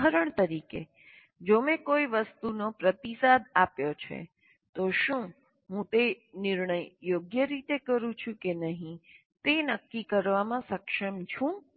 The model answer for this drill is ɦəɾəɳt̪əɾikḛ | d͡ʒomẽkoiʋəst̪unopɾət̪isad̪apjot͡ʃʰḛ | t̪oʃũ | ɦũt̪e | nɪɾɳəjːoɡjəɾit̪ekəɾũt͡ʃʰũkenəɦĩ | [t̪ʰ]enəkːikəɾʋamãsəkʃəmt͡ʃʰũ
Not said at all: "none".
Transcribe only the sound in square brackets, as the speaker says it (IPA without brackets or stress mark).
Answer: t̪